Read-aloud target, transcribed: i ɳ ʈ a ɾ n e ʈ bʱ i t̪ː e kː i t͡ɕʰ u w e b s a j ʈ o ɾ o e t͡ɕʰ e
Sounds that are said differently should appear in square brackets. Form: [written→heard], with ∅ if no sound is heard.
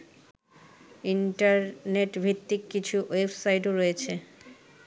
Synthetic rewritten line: i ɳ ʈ a ɾ n e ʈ bʱ i t̪ː [e→i] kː i t͡ɕʰ u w e b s a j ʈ o ɾ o e t͡ɕʰ e